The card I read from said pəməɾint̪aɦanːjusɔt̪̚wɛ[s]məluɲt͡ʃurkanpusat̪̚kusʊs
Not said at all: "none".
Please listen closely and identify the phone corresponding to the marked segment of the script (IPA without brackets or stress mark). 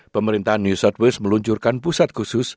s